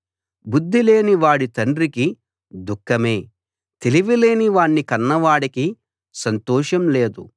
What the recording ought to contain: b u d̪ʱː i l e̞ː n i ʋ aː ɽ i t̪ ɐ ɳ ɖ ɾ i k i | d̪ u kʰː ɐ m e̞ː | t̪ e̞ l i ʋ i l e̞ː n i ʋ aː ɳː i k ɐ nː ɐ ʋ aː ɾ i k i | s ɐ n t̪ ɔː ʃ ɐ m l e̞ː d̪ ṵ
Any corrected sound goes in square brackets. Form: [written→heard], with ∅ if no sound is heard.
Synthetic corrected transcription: b u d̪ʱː i l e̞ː n i ʋ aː ɽ i t̪ ɐ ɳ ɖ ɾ i k i | d̪ u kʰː ɐ m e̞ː | t̪ e̞ l i ʋ i l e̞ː n i ʋ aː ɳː i k ɐ nː ɐ ʋ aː [ɾ→ɽ] i k i | s ɐ n t̪ ɔː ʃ ɐ m l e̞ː d̪ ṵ